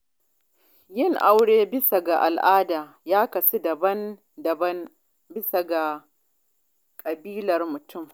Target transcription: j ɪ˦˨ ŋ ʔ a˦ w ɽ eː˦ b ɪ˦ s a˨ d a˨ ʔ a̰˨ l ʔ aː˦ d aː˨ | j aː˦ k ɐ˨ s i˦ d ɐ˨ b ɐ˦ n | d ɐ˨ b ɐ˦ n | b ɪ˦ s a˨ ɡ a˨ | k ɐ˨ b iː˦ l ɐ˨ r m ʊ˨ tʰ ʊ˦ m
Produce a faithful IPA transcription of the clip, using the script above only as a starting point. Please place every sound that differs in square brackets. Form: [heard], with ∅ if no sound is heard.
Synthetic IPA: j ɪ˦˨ ŋ ʔ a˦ w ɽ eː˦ b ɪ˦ s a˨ [ɡ] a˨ ʔ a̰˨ l ʔ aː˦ d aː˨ | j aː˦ k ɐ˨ s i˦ d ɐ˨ b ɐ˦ n | d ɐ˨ b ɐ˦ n | b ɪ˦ s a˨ ɡ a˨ | [kʼ] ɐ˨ b iː˦ l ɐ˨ r m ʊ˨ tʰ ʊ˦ m